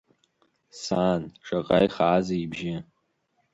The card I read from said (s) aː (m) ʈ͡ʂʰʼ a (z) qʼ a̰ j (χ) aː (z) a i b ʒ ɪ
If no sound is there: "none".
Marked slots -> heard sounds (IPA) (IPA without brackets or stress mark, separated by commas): s, n, none, χ, z